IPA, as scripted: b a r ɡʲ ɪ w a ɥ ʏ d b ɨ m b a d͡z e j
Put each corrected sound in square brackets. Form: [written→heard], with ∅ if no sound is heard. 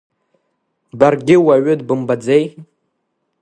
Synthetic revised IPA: b a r ɡʲ ɪ w a ɥ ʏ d b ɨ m b a d͡z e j